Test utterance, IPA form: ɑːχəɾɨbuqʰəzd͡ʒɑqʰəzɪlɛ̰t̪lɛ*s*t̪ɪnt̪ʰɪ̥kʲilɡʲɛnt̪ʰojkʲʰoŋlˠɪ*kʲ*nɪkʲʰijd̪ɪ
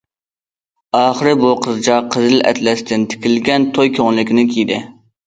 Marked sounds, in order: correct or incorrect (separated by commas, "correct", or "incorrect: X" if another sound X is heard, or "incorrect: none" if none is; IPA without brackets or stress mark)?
correct, correct